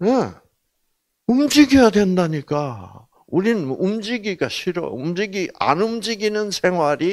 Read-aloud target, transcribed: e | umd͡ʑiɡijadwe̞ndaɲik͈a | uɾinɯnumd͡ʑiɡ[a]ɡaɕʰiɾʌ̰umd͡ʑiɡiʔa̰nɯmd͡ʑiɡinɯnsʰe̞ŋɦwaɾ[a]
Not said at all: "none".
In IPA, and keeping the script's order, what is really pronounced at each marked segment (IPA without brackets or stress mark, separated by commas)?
i, i